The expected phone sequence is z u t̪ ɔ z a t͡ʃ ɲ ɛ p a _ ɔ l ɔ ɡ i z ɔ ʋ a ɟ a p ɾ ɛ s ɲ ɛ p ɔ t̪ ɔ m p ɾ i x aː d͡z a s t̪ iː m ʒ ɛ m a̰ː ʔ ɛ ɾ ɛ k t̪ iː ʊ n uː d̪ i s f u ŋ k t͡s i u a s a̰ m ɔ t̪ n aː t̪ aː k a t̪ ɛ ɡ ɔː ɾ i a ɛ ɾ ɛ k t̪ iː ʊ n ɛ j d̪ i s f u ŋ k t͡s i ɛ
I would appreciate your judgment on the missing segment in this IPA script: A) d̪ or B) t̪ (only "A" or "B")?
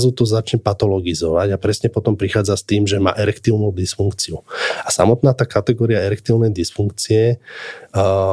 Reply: B